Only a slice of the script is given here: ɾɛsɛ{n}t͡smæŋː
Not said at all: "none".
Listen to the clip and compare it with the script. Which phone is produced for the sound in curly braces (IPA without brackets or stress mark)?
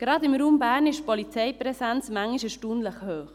n